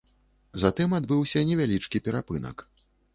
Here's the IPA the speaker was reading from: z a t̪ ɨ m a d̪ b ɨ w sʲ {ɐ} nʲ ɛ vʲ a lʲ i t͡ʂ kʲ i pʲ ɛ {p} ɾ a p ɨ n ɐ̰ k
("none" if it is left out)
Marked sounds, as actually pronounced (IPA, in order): ɐ, none

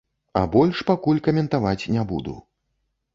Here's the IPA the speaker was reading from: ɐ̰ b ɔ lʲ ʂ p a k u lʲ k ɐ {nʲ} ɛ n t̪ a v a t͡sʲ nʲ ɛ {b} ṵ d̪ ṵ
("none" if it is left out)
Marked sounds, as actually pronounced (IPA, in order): mʲ, b

